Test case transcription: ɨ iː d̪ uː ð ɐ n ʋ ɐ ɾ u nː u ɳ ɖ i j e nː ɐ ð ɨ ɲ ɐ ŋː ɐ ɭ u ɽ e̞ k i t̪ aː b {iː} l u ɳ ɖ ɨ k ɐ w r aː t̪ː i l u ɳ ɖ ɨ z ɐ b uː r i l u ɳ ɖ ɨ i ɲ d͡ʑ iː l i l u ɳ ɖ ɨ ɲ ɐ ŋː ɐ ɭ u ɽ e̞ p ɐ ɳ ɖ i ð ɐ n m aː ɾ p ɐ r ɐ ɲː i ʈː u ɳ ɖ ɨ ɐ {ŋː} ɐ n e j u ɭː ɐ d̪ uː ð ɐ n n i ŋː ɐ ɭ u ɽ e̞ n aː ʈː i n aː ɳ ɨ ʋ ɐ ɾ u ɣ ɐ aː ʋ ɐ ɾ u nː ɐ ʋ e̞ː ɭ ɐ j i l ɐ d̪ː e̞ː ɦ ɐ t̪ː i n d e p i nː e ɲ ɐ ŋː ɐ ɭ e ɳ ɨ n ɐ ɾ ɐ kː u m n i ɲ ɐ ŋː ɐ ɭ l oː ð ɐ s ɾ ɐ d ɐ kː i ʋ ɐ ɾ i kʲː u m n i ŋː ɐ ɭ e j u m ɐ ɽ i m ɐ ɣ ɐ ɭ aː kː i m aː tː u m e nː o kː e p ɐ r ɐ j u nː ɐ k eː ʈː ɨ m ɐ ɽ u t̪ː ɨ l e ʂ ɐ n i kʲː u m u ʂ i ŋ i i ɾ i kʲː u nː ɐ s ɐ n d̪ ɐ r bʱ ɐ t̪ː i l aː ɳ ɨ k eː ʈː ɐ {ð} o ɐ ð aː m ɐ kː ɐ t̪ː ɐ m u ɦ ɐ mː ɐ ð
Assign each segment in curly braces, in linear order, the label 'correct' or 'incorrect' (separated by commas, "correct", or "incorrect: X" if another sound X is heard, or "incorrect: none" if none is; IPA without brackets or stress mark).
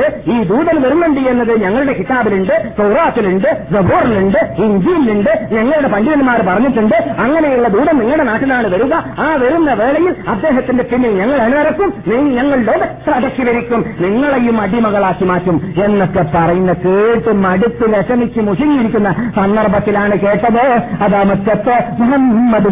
incorrect: i, correct, correct